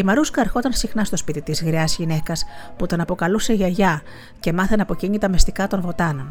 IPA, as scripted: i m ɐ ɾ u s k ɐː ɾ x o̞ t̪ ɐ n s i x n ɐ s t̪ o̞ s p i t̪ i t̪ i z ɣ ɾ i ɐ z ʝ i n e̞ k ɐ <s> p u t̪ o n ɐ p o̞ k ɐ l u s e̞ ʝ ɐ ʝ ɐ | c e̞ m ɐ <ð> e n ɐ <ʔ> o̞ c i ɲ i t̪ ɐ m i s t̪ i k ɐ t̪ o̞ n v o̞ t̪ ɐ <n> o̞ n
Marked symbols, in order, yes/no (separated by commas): yes, no, no, yes